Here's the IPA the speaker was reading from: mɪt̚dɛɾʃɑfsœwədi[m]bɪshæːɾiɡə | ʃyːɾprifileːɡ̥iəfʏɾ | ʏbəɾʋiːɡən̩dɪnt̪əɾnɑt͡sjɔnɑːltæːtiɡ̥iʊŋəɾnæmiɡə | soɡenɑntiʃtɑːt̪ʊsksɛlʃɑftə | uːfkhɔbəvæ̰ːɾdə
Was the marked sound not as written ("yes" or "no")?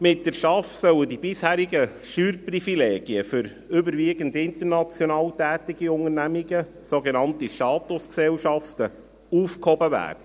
yes